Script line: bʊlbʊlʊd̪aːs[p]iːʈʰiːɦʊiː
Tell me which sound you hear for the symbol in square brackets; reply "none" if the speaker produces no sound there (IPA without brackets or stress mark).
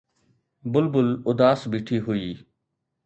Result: b